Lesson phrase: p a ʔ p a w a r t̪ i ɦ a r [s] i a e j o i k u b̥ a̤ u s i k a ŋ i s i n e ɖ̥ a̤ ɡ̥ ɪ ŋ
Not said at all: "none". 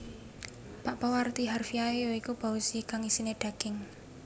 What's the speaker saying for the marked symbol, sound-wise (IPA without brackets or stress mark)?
f